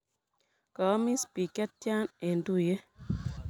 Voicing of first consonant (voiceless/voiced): voiceless